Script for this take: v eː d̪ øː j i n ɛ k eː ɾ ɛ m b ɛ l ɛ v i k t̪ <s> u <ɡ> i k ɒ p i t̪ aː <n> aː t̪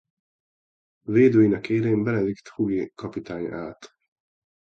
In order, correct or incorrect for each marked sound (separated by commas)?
incorrect, correct, incorrect